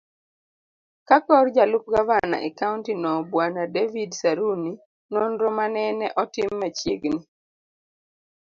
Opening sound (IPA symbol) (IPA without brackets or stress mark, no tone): k